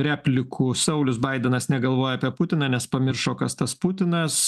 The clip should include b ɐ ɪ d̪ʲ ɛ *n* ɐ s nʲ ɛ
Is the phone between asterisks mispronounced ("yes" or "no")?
no